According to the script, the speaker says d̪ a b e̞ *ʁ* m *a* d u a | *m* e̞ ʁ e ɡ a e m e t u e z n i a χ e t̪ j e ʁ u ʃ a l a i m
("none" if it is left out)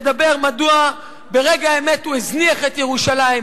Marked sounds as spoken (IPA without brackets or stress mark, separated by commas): ʁ, a, b